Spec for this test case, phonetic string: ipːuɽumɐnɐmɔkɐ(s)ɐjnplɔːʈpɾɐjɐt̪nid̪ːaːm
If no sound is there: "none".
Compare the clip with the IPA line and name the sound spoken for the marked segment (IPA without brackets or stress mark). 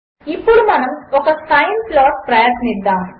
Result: s